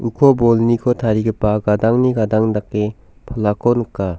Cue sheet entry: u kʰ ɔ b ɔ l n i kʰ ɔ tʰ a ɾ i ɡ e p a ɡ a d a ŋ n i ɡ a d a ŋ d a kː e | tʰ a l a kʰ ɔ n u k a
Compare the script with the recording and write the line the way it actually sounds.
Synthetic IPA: u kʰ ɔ b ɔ l n i kʰ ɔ tʰ a ɾ i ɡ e p a ɡ a d a ŋ n i ɡ a d a ŋ d a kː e | pʰ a l a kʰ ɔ n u k a